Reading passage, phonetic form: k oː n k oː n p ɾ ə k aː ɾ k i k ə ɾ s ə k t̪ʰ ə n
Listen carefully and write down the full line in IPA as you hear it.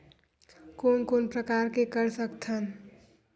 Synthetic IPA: k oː n k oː n p ɾ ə k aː ɾ k e k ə ɾ s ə k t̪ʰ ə n